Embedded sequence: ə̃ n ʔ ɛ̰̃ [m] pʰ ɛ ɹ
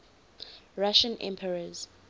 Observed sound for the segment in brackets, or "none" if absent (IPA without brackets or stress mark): m